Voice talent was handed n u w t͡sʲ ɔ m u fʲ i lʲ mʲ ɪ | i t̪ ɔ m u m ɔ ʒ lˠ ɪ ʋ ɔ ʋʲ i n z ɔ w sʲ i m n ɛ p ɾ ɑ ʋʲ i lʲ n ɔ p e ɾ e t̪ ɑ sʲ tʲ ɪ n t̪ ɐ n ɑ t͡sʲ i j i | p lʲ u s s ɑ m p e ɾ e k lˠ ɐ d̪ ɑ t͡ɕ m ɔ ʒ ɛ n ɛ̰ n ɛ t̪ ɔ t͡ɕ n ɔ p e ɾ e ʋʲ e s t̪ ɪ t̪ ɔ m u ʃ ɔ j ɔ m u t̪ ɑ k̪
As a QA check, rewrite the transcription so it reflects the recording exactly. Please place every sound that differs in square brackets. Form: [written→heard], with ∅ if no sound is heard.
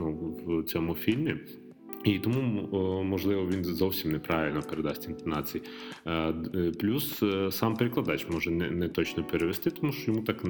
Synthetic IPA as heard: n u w t͡sʲ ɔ m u fʲ i lʲ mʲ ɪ | i t̪ ɔ m u m ɔ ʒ lˠ ɪ ʋ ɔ ʋʲ i n z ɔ w sʲ i m n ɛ p ɾ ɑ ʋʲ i lʲ n ɔ p e ɾ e [t̪→d̪] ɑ sʲ tʲ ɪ n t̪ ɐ n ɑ t͡sʲ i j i | p lʲ u s s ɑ m p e ɾ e k lˠ ɐ d̪ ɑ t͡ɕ m ɔ ʒ ɛ n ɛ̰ n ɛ t̪ ɔ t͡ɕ n ɔ p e ɾ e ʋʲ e s t̪ ɪ t̪ ɔ m u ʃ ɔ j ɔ m u t̪ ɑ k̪